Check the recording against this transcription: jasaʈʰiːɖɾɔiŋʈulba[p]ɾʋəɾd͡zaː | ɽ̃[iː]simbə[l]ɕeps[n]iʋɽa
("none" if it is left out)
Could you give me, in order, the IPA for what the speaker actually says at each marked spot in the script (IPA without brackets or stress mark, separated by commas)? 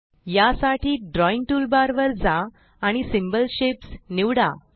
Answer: none, i, l, n